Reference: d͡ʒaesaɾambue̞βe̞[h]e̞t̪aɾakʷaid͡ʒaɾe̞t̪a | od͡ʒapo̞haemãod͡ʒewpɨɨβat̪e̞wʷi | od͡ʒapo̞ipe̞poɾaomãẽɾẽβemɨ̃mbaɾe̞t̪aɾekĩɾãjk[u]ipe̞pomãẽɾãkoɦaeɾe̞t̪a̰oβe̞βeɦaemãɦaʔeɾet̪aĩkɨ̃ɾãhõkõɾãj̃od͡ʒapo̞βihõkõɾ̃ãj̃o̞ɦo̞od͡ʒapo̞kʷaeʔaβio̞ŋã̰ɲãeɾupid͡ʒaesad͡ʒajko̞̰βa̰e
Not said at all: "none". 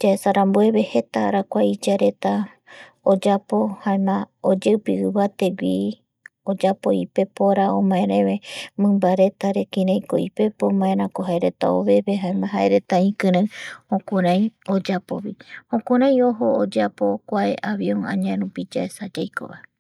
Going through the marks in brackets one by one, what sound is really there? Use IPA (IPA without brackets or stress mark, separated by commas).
h, o